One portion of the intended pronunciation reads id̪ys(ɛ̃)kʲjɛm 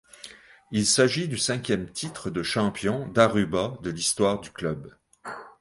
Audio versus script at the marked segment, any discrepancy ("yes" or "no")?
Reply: no